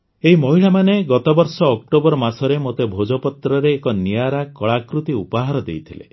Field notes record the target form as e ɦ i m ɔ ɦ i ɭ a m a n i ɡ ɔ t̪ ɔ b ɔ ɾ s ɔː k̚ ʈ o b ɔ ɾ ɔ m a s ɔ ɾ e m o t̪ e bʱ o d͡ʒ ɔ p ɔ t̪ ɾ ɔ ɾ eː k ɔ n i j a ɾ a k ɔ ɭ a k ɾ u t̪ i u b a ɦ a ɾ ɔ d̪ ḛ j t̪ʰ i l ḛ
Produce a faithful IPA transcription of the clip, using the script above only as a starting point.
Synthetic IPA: e ɦ i m ɔ ɦ i ɭ a m a n e ɡ ɔ t̪ ɔ b ɔ ɾ s ɔː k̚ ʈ o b ɔ ɾ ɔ m a s ɔ ɾ e m o t̪ e bʱ o d͡ʒ ɔ p ɔ t̪ ɾ ɔ ɾ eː k ɔ n i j a ɾ a k ɔ ɭ a k ɾ u t̪ i u p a ɦ a ɾ ɔ d̪ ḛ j t̪ʰ i l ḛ